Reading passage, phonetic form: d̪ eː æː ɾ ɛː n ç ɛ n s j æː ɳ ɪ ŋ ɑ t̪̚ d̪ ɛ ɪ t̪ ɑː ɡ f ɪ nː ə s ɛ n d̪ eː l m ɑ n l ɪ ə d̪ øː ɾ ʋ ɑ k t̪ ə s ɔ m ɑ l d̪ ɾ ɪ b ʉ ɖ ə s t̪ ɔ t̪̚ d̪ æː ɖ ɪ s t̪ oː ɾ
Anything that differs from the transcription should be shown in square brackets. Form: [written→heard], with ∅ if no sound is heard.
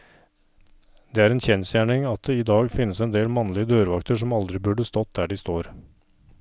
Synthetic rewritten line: d̪ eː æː ɾ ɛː n ç ɛ n s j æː ɳ ɪ ŋ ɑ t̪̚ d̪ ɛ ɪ [t̪→d̪] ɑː ɡ f ɪ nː ə s ɛ n d̪ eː l m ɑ n l ɪ ə d̪ øː ɾ ʋ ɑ k t̪ ə [s→ʂ] ɔ m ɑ l d̪ ɾ ɪ b ʉ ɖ ə s t̪ ɔ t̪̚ d̪ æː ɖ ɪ s t̪ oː ɾ